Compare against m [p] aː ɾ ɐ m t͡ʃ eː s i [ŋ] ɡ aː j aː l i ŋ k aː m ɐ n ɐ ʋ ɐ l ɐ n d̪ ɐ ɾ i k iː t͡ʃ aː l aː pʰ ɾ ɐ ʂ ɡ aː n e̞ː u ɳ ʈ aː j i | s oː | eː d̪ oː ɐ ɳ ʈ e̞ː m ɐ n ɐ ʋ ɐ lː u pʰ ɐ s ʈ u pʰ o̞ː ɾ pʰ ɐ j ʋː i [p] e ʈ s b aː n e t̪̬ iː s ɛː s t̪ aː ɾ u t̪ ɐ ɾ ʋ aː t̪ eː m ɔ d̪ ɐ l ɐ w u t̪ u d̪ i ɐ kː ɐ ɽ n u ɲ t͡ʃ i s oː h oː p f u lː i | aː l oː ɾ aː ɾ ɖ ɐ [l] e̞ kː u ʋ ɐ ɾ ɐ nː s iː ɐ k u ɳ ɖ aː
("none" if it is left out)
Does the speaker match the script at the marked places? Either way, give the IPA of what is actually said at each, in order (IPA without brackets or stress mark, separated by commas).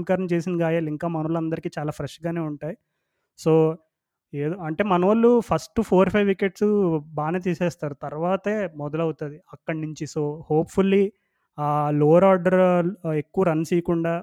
k, n, k, ɾ